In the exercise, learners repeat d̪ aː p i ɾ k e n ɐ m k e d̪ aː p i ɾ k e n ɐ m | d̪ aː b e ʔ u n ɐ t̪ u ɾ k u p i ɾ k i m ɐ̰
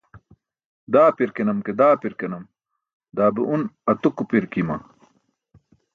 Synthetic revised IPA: d̪ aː p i ɾ k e n ɐ m k e d̪ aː p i ɾ k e n ɐ m | d̪ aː b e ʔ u n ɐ t̪ u k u p i ɾ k i m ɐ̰